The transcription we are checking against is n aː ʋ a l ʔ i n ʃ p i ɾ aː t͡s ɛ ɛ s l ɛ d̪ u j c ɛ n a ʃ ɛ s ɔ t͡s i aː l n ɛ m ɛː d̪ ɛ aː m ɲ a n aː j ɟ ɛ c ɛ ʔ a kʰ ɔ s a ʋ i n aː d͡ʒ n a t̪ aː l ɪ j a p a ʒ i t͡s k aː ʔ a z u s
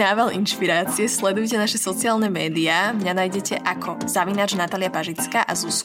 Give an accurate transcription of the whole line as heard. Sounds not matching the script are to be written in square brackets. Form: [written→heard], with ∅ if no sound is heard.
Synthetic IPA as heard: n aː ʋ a l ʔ i n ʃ p i ɾ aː t͡s [ɛ→i] ɛ s l ɛ d̪ u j c ɛ n a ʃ ɛ s ɔ t͡s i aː l n ɛ m ɛː d̪ [ɛ→i] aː m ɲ a n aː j ɟ ɛ c ɛ ʔ a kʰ ɔ [s→z] a ʋ i n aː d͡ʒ n a t̪ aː l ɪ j a p a ʒ i t͡s k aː ʔ a z u s